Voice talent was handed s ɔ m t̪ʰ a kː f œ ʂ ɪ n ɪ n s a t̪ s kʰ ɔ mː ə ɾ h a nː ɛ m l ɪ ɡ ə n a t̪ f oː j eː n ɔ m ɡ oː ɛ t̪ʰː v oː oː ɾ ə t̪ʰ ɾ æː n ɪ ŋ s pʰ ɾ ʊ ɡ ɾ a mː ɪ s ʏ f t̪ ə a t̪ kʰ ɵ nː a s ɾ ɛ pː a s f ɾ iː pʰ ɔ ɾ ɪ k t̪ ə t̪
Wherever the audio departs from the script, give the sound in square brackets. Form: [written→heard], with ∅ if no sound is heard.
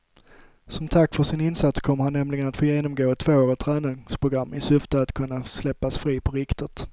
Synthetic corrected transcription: s ɔ m t̪ʰ a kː f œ ʂ ɪ n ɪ n s a t̪ s kʰ ɔ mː ə ɾ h a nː ɛ m l ɪ ɡ ə n a t̪ f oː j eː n ɔ m ɡ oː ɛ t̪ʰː v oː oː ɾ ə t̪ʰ ɾ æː n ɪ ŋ s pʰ ɾ ʊ ɡ ɾ a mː ɪ s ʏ f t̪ ə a t̪ kʰ ɵ nː a s [ɾ→l] ɛ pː a s f ɾ iː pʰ ɔ ɾ ɪ k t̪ ə t̪